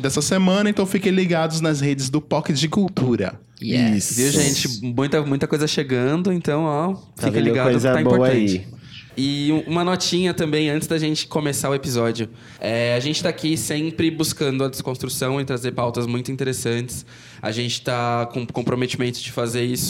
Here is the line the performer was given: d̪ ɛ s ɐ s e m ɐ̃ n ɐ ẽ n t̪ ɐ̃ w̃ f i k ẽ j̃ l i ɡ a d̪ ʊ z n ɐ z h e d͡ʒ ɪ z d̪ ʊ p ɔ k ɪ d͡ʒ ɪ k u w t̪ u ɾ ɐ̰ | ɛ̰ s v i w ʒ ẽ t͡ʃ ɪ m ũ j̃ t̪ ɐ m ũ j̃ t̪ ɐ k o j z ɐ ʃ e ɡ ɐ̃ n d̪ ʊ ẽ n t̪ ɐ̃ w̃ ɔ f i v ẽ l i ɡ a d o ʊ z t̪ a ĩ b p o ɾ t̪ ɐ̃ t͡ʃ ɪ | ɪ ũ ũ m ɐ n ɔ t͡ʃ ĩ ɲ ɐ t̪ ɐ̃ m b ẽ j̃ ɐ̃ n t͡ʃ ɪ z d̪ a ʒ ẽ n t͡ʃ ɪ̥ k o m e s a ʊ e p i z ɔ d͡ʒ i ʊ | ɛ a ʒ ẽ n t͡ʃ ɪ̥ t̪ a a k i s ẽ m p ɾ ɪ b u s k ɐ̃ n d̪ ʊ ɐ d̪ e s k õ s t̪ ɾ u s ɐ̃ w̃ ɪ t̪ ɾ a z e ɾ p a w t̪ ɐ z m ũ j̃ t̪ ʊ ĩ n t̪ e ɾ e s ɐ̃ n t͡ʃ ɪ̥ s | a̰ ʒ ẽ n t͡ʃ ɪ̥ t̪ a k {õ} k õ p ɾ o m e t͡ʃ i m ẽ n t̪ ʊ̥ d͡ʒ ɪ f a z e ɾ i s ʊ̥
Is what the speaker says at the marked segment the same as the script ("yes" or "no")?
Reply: yes